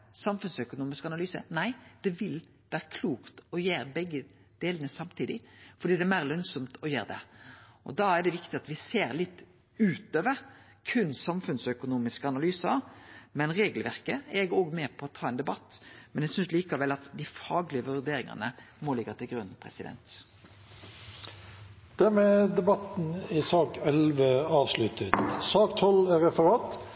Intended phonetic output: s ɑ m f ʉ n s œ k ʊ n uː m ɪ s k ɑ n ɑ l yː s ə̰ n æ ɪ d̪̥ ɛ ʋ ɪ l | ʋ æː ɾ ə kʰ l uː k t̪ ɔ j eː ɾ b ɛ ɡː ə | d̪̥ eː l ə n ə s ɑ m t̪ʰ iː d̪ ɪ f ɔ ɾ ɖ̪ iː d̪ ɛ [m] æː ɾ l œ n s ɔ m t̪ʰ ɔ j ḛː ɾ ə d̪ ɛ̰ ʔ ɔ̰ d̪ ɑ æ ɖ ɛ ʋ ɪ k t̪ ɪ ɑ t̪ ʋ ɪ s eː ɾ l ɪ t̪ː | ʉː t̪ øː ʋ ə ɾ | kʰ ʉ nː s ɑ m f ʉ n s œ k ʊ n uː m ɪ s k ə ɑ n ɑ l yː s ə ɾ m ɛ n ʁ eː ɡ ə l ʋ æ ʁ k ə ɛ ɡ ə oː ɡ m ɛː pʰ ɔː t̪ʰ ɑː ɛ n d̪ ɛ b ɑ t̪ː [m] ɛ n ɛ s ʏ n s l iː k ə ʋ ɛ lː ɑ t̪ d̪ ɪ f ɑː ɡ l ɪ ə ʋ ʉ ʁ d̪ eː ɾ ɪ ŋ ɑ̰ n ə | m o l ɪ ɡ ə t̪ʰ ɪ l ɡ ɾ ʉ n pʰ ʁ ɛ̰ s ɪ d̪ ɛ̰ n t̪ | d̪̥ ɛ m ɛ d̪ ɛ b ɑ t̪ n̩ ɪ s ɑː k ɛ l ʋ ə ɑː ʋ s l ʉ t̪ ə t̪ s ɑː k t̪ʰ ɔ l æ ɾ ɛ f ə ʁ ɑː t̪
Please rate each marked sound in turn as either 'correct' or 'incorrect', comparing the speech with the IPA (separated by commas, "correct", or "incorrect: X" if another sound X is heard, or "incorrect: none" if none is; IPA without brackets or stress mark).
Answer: correct, correct